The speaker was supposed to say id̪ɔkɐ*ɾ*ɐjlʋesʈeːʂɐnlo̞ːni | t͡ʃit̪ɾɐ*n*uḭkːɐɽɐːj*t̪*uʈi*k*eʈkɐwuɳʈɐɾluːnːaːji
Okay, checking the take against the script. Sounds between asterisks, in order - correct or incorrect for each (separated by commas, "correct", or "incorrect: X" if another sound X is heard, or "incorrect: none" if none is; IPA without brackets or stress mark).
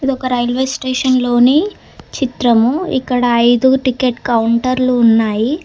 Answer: correct, incorrect: m, incorrect: d̪, correct